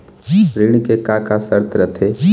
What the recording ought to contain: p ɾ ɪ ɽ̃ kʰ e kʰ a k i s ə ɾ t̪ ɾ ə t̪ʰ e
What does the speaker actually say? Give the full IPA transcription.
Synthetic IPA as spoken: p ɾ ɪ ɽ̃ k e k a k a s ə ɾ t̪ ɾ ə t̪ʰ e